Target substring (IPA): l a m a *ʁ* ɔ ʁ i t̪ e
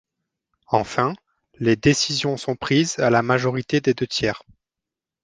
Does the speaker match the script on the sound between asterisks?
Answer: no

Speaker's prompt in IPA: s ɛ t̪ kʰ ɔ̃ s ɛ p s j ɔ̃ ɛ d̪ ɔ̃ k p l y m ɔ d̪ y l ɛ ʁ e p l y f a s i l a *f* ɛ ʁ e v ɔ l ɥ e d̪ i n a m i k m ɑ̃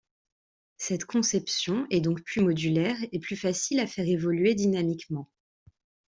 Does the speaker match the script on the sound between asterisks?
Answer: yes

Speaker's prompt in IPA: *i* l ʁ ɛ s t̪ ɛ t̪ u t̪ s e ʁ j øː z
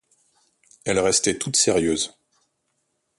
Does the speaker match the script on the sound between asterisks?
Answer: no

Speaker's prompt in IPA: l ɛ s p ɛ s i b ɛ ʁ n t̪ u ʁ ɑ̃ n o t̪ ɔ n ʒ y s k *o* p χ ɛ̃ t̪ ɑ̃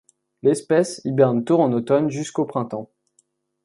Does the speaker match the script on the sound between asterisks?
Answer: yes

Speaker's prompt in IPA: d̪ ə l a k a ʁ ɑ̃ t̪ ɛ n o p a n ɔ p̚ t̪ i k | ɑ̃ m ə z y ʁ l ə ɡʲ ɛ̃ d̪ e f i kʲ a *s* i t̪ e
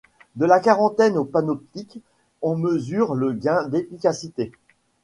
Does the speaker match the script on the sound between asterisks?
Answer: yes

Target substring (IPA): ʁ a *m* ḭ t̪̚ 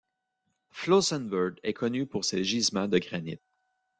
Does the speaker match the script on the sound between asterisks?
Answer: no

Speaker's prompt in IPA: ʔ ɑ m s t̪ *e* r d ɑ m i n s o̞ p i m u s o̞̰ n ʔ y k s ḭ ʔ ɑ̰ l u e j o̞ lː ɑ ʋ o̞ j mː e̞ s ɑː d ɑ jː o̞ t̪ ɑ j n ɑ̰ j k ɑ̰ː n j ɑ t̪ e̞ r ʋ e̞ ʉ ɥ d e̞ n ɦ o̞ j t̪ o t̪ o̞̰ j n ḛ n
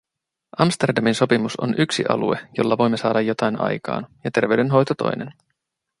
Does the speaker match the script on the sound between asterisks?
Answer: yes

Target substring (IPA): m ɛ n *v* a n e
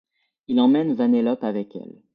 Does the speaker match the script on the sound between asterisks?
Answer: yes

